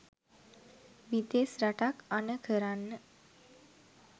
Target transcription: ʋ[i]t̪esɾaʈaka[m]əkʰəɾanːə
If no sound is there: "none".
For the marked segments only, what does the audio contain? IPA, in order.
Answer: i, n

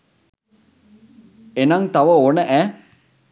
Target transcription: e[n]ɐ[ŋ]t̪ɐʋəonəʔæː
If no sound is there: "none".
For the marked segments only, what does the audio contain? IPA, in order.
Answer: n, ŋ

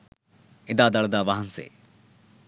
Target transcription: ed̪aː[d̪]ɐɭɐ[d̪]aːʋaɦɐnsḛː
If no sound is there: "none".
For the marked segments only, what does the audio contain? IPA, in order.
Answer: d̪, d̪

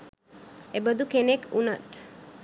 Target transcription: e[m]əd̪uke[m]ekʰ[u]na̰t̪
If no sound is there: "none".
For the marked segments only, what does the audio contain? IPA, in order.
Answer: b, n, u

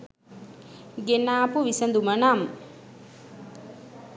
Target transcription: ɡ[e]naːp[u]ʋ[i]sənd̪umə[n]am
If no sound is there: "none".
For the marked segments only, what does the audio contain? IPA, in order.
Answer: e, u, i, n

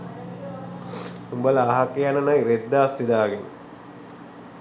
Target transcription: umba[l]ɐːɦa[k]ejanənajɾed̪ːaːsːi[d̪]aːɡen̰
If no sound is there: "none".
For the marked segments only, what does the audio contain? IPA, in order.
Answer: l, k, d̪

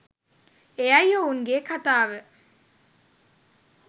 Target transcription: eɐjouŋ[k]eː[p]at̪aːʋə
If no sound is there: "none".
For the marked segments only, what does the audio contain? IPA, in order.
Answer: ɡ, k

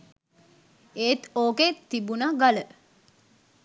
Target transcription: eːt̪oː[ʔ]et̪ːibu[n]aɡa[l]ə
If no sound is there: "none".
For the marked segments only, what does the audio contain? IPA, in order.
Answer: k, n, l

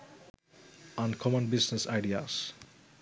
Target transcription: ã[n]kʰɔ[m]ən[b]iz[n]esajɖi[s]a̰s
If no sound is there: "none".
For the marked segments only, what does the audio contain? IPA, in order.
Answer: n, m, b, n, none

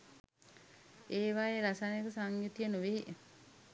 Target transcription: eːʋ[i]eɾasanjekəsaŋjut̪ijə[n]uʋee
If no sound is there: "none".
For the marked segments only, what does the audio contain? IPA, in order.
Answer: a, n

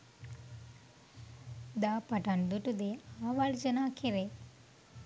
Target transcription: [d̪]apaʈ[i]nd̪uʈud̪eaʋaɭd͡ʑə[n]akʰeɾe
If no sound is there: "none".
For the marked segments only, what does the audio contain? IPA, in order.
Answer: d̪, a, n

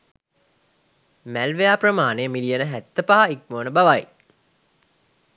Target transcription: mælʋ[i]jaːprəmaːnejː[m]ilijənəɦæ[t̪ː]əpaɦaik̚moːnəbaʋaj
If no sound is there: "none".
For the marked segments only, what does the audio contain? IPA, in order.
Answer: e, m, t̪ː

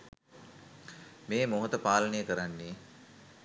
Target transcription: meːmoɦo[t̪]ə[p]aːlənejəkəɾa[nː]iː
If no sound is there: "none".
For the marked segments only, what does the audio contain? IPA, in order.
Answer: t̪, p, nː

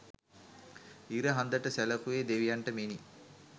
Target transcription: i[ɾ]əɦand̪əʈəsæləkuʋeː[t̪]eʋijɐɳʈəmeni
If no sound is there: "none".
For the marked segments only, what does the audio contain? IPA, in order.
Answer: ɾ, d̪

